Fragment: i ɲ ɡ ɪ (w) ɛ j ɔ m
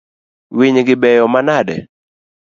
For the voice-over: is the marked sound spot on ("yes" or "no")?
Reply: no